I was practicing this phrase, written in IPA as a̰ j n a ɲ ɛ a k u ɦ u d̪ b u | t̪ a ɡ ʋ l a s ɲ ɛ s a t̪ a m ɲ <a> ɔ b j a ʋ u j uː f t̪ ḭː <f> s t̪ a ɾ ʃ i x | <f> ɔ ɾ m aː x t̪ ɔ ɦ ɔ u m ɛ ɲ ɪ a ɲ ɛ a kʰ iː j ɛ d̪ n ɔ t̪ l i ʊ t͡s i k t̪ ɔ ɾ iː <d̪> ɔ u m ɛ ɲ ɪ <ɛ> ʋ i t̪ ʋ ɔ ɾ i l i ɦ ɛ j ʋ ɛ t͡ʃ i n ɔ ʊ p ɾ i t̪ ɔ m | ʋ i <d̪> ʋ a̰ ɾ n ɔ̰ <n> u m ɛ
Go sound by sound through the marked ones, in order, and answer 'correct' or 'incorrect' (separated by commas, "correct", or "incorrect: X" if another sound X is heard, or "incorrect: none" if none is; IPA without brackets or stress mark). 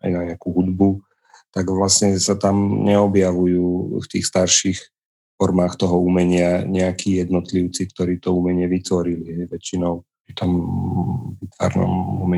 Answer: incorrect: ɛ, incorrect: x, correct, incorrect: t̪, correct, incorrect: t̪, incorrect: m